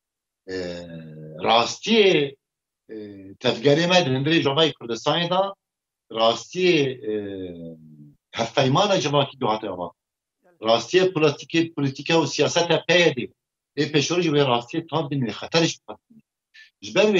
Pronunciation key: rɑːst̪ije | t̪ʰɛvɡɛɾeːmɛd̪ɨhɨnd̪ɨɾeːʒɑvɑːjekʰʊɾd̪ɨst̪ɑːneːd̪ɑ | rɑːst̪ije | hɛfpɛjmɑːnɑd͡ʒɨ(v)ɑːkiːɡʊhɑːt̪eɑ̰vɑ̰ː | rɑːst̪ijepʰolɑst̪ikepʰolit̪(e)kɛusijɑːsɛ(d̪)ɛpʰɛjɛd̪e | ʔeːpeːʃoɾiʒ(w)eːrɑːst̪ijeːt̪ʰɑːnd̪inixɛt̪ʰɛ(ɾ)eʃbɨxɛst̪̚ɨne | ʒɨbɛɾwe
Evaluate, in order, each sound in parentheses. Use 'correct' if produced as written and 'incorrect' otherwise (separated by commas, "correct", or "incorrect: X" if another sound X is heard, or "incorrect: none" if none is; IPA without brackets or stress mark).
correct, incorrect: i, incorrect: t̪, correct, correct